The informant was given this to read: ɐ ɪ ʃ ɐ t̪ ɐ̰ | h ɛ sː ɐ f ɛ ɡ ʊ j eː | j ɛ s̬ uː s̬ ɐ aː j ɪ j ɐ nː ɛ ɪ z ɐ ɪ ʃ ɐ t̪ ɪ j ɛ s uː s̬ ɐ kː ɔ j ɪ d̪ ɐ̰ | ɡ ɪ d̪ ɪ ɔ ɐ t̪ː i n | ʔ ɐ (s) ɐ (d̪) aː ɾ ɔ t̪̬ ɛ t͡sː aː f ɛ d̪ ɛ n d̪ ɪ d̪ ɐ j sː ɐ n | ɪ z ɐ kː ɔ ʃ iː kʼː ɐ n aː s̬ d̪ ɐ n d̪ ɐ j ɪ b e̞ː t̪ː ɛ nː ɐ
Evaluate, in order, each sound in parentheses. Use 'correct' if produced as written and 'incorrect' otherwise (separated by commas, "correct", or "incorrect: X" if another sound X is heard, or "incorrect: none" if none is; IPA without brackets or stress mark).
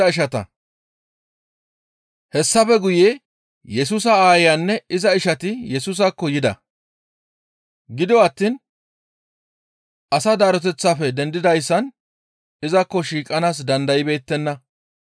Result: correct, correct